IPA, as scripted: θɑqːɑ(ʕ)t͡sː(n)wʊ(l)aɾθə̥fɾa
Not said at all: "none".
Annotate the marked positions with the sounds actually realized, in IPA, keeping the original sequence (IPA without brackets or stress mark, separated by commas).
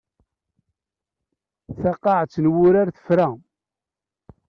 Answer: ʕ, n, ɾ